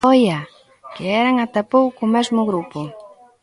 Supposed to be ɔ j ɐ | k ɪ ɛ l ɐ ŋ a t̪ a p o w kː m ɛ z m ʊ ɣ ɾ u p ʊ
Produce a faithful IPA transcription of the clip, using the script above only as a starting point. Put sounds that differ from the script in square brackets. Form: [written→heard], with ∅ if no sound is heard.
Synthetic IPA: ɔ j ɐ | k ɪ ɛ [l→ɾ] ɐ ŋ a t̪ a p o w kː m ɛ z m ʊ ɣ ɾ u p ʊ